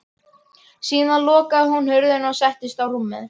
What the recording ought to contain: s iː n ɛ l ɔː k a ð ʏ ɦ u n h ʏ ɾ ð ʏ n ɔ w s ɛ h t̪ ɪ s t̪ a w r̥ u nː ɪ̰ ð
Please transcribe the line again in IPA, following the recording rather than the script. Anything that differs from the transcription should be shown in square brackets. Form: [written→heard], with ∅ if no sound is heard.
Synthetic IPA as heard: s iː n [ɛ→a] l ɔː k a ð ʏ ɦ u n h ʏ ɾ ð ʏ n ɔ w s ɛ h t̪ ɪ s t̪ a w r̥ u [nː→mː] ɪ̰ ð